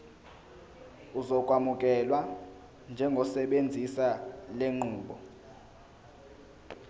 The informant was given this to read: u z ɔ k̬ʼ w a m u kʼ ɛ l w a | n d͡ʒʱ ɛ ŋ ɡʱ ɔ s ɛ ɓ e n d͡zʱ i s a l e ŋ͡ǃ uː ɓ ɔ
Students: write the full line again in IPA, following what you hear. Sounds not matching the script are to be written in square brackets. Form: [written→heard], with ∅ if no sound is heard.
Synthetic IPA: u z ɔ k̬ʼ w a m u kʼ ɛ l w a | n d͡ʒʱ ɛ ŋ ɡʱ ɔ s ɛ ɓ e n d͡zʱ i s a l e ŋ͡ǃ uː ɓ ɔ